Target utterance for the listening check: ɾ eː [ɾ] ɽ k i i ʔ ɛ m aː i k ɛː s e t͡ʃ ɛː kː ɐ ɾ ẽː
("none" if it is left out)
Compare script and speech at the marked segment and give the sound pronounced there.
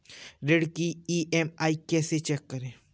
none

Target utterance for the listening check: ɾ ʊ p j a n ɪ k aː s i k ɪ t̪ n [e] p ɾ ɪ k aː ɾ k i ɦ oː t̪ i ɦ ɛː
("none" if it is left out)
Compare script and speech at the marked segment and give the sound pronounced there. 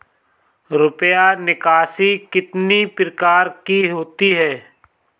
i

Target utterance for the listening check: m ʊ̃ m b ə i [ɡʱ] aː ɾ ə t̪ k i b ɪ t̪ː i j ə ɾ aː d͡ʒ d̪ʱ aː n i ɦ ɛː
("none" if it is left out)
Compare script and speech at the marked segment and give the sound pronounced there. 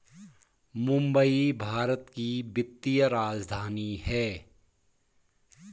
bʱ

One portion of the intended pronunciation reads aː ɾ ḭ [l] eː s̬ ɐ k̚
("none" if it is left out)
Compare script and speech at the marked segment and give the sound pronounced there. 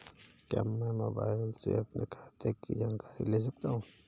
l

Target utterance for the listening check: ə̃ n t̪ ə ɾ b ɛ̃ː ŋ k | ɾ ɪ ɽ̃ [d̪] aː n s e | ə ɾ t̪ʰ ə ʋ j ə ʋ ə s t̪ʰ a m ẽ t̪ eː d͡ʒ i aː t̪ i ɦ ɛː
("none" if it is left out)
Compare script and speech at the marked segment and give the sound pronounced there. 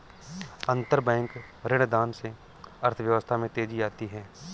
d̪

